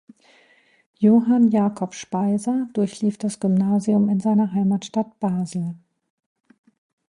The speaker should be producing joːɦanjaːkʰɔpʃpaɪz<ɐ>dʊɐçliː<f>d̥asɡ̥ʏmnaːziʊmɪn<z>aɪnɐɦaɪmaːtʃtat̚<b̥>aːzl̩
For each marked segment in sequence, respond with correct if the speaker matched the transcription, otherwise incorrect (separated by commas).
correct, correct, correct, correct